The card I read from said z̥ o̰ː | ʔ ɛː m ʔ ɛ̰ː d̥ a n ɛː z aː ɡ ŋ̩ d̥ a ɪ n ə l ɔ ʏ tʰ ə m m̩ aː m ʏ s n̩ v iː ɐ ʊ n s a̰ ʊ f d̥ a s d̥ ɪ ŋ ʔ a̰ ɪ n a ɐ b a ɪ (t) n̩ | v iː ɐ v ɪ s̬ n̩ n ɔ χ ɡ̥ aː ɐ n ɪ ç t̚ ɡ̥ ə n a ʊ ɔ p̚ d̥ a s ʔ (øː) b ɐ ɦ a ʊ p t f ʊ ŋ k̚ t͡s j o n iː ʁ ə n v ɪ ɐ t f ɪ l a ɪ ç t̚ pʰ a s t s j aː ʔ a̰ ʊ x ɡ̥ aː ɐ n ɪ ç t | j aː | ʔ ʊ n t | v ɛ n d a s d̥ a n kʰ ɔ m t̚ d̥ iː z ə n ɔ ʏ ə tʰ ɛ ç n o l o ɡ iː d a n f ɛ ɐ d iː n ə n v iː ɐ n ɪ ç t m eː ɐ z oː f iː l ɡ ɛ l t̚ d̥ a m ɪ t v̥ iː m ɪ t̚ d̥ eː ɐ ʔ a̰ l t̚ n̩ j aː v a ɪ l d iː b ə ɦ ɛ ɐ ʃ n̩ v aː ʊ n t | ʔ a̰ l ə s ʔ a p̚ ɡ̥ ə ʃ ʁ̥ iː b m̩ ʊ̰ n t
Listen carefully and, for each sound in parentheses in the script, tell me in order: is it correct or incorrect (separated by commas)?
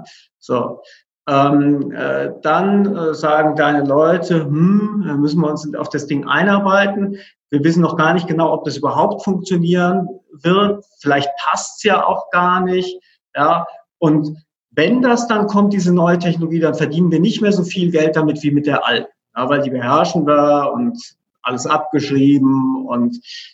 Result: correct, incorrect